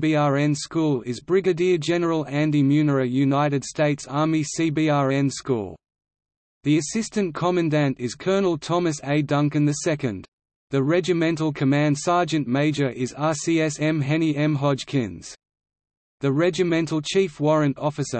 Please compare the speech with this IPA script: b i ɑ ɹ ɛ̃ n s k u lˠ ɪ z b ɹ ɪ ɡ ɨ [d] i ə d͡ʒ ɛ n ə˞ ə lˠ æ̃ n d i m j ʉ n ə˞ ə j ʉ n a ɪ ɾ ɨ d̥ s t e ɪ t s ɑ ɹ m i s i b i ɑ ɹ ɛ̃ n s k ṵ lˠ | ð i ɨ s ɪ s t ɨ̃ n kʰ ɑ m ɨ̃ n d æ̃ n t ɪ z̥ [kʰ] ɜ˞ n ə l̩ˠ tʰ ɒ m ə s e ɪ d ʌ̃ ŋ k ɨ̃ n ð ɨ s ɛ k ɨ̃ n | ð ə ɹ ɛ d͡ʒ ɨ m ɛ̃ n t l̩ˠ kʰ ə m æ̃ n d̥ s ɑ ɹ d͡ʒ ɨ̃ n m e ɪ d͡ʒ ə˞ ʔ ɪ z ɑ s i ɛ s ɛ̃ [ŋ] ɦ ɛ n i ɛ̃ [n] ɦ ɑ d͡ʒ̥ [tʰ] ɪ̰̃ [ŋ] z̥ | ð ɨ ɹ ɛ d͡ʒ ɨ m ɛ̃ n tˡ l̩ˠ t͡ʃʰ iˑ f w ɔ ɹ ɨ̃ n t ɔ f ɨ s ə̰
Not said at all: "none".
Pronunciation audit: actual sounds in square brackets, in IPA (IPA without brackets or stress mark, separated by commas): d, kʰ, m, m, kʰ, n